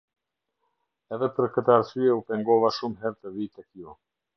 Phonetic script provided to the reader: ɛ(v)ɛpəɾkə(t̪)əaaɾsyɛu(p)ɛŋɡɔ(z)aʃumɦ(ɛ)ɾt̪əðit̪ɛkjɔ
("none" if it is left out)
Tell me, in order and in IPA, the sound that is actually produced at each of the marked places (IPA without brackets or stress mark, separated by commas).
ð, t̪, p, v, ɛ